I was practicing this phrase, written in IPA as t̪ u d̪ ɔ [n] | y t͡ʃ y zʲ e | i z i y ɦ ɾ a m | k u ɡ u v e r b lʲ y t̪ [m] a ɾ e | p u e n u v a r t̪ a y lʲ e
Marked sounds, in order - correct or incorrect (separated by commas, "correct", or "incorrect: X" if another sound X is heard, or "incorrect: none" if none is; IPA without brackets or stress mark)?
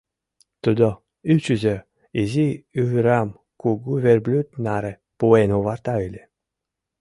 incorrect: none, incorrect: n